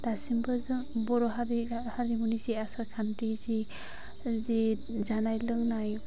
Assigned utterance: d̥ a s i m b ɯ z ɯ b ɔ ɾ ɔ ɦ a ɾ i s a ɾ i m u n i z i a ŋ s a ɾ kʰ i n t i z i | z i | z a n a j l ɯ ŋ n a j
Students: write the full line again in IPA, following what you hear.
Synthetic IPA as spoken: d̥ a s i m b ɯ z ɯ b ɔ ɾ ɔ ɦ a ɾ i h a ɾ i m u n i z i a s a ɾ kʰ a n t i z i | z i | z a n a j l ɯ ŋ n a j